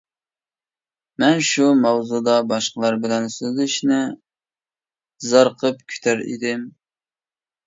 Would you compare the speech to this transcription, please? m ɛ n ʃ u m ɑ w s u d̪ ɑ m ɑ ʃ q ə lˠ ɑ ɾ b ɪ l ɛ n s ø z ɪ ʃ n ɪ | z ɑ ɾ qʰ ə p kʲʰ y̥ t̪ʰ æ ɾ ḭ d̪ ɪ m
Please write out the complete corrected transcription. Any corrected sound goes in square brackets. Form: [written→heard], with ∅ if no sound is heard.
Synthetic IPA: m ɛ n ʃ u m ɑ w [s→z] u d̪ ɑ [m→b] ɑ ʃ q ə lˠ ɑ ɾ b ɪ l ɛ n s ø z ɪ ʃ n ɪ | z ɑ ɾ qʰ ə p kʲʰ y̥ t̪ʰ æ ɾ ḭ d̪ ɪ m